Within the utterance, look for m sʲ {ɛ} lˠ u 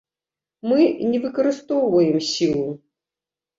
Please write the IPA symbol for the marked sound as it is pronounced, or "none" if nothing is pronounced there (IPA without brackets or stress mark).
i